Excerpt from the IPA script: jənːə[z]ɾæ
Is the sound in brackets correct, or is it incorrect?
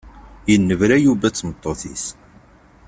incorrect